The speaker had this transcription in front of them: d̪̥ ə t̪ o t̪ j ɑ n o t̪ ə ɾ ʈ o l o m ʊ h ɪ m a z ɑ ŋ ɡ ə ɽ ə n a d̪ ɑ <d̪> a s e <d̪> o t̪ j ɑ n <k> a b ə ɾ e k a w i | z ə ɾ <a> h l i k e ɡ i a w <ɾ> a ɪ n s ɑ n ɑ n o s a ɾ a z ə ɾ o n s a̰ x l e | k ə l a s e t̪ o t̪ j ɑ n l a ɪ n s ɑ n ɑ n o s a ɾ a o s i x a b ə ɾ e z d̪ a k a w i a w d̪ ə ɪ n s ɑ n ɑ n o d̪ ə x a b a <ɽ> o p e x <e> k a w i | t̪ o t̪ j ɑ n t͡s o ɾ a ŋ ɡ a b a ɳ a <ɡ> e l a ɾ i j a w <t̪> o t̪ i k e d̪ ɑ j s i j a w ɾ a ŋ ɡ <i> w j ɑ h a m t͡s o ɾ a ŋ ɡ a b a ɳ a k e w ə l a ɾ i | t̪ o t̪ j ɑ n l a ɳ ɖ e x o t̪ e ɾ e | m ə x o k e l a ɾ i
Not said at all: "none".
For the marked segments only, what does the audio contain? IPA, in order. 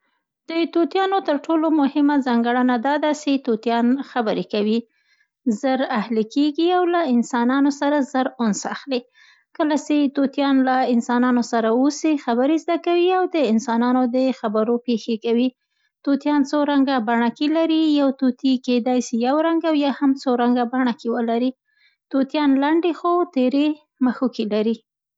d̪, t̪, x, a, l, ɾ, e, k, t̪, a

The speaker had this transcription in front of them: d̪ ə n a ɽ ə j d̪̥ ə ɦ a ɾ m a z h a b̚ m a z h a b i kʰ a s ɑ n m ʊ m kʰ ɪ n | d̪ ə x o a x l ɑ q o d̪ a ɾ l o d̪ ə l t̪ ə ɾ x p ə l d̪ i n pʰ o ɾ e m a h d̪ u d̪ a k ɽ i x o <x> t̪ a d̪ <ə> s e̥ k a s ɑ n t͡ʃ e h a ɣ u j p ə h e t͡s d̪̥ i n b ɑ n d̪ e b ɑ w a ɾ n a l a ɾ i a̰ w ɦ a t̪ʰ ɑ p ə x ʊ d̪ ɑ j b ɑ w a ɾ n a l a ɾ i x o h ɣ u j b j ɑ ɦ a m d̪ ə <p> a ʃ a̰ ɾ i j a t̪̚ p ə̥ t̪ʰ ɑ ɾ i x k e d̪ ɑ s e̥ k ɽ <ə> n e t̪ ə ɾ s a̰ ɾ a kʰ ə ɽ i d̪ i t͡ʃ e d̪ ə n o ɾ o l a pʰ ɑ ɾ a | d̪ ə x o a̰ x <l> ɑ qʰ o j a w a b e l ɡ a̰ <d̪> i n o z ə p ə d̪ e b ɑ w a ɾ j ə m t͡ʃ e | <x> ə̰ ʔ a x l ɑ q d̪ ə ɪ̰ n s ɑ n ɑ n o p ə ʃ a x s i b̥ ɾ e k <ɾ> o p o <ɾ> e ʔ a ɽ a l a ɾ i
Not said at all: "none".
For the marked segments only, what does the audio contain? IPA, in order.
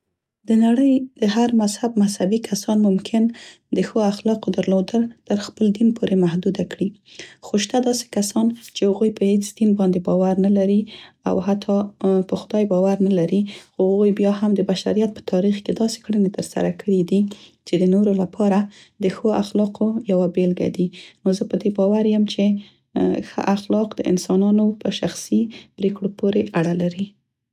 ʃ, ɑ, b, ə, l, d̪, x, ɽ, ɾ

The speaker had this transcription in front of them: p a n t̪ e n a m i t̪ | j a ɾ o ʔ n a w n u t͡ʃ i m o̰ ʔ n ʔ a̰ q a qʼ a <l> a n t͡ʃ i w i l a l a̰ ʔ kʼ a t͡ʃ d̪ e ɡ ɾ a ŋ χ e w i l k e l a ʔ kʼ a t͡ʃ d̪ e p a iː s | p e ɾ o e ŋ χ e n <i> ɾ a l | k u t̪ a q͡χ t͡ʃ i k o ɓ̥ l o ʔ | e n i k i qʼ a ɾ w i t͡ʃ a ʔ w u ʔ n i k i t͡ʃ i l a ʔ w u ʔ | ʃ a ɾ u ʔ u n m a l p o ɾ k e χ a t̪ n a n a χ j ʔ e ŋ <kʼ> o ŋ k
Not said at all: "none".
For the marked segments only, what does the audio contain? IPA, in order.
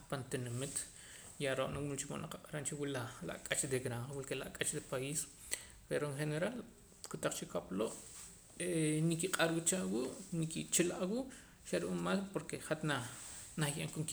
ɾ, e, k

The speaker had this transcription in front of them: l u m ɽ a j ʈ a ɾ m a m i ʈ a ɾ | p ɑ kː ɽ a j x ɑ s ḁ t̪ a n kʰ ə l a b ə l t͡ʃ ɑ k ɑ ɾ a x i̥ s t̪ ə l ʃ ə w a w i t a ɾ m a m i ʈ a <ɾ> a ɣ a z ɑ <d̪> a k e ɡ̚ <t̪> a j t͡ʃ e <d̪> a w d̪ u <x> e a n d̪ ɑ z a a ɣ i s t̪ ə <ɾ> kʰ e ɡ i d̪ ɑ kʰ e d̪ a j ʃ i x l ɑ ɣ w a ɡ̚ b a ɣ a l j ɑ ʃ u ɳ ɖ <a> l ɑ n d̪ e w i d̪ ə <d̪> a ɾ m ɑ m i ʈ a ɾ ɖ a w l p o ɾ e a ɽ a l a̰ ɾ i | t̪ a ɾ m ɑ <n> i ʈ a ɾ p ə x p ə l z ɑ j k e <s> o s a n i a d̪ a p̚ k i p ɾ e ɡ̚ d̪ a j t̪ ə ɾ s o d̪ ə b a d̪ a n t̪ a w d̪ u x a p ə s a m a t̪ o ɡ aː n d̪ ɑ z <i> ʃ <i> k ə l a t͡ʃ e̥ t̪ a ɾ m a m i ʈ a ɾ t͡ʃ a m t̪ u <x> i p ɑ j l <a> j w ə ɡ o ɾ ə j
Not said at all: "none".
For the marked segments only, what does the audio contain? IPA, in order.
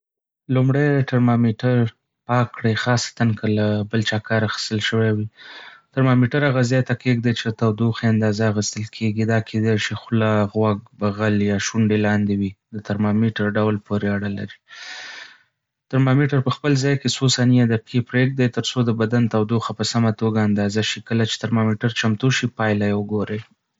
ɾ, t̪, d̪, t̪, x, l, e, t̪, m, s, a, i, ʃ, a

